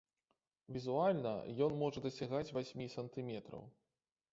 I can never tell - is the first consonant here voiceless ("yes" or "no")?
no